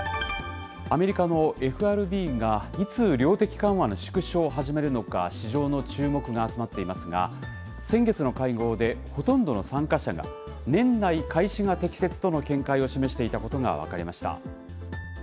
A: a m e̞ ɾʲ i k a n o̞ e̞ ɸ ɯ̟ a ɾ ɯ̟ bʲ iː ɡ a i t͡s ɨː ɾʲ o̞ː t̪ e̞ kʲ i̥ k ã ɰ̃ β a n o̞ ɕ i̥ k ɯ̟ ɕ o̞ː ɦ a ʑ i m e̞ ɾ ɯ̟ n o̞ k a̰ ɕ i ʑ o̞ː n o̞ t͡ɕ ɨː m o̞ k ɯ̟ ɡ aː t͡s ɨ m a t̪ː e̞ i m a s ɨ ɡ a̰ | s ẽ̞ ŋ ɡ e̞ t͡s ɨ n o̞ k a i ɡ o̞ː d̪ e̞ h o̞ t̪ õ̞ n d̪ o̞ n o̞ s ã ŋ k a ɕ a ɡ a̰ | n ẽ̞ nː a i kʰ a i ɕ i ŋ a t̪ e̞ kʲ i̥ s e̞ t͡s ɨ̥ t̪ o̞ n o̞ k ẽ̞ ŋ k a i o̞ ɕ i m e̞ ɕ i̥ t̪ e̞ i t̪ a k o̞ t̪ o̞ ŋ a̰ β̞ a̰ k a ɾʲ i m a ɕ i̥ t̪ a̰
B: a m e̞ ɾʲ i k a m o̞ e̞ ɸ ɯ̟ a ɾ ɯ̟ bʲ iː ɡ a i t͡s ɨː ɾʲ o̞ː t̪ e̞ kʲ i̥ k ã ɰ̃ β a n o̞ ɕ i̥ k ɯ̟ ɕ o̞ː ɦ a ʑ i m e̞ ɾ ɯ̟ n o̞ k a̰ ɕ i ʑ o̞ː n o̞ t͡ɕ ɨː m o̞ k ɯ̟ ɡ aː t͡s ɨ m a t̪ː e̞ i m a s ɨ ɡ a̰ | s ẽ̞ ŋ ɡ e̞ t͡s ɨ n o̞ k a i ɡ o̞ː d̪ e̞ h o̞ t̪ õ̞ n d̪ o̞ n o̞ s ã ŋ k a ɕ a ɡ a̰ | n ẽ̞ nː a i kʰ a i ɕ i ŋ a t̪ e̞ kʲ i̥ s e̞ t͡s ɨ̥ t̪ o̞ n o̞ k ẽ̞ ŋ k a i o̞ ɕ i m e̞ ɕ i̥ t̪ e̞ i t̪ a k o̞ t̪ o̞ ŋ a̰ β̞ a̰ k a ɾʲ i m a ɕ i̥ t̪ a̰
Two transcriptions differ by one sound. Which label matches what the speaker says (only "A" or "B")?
A